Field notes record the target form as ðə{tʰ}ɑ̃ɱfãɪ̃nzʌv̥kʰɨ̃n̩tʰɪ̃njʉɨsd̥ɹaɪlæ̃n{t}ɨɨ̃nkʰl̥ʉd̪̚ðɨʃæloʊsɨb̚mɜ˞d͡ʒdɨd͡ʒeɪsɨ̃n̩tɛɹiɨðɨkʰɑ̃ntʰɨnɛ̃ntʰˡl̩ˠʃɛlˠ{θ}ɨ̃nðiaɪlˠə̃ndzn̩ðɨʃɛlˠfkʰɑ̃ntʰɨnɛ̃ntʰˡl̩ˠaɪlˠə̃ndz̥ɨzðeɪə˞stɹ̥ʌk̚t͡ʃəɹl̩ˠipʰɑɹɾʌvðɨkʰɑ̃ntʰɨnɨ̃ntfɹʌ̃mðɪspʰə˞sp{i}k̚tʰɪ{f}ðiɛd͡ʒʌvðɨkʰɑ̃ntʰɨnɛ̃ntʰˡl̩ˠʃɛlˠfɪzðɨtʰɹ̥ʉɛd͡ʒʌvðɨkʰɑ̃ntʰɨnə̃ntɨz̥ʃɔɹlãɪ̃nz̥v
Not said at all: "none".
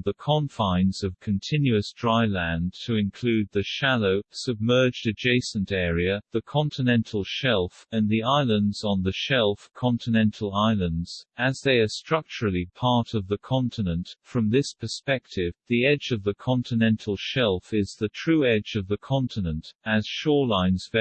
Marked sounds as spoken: kʰ, tʰ, f, ɛ, v

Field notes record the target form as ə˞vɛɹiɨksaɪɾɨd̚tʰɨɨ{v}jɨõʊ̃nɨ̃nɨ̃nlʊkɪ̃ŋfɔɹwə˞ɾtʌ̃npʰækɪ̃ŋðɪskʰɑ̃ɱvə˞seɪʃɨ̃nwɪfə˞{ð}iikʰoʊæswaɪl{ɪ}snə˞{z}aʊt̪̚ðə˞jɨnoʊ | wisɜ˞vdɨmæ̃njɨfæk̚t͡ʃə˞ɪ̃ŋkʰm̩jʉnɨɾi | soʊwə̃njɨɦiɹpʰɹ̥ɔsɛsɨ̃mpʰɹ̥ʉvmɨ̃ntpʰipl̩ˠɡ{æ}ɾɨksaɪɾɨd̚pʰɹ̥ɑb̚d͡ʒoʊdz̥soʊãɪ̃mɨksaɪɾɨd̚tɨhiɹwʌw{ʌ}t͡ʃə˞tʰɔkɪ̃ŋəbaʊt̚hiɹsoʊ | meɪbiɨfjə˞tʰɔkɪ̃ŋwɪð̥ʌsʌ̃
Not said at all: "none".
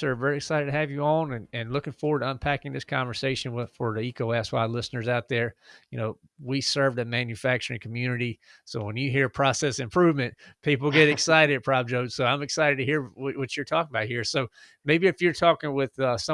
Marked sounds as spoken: v, ð, ɪ, z, ɛ, ʌ

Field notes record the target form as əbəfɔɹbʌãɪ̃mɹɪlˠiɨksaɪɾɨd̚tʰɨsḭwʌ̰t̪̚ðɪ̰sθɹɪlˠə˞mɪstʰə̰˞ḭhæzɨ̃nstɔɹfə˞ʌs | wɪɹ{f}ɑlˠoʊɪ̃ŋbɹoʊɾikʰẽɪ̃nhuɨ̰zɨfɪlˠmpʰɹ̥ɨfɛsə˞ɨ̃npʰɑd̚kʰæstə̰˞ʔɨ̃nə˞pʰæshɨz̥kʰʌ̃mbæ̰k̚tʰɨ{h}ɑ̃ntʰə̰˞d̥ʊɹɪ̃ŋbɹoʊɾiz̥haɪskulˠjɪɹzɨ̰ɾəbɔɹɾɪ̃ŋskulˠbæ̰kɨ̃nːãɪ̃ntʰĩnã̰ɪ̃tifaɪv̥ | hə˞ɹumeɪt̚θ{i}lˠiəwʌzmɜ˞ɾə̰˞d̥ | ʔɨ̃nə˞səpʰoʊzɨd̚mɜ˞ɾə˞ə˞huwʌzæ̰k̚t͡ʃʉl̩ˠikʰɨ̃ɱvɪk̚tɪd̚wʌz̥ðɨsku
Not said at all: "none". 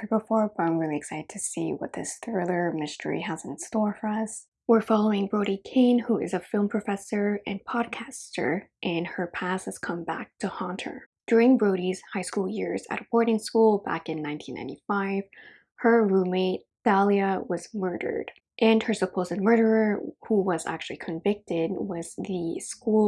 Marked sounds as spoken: f, h, æ

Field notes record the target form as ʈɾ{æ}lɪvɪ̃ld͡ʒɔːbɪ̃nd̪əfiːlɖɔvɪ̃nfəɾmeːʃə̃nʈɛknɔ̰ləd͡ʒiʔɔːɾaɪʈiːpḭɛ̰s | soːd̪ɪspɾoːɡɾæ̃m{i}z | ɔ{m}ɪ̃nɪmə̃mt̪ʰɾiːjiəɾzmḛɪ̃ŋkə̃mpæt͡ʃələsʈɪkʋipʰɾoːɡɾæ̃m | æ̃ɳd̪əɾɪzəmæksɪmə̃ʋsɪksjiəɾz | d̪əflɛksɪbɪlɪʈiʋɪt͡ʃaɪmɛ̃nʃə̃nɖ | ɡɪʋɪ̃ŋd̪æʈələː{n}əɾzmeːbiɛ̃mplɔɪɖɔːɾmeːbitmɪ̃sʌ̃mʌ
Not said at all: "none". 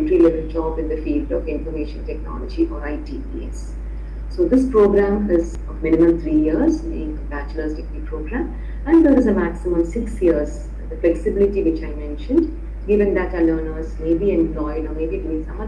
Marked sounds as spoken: i, ɪ, m, n

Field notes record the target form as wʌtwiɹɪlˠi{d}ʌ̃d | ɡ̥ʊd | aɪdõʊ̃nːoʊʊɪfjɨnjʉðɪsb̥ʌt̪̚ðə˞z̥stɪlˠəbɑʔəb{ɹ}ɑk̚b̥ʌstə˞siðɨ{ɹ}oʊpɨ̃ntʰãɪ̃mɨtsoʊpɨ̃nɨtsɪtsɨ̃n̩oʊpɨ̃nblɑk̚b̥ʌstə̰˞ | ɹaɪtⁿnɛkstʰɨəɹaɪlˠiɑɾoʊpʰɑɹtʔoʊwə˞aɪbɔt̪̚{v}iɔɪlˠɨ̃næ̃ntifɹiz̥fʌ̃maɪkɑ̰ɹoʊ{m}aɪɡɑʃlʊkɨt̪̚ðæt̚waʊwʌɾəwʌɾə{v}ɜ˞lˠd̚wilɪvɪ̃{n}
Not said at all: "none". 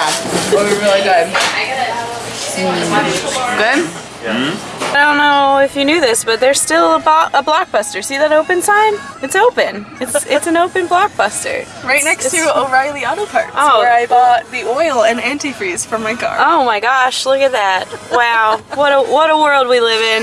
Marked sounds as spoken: d, l, ɾ, ð, m, w, n

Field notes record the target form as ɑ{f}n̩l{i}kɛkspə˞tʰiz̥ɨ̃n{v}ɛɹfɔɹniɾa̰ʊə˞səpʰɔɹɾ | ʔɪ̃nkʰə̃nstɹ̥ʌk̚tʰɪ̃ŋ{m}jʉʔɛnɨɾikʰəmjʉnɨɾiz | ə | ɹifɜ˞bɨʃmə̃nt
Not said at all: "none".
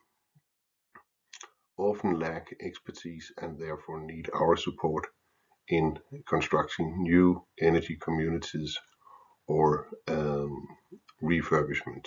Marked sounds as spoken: f, æ, ð, n

